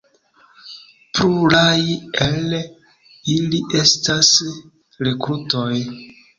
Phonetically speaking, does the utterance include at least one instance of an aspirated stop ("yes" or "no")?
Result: no